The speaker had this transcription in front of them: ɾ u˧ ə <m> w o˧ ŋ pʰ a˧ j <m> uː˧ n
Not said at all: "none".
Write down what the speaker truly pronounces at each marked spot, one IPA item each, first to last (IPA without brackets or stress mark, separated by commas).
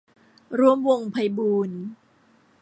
m, b